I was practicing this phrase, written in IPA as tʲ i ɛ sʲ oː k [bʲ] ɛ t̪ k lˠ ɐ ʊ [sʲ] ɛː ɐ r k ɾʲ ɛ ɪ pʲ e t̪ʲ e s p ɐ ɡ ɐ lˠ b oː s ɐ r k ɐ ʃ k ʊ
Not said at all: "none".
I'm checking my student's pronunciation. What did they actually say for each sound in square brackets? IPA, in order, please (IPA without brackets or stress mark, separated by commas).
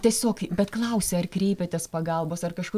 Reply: bʲ, sʲ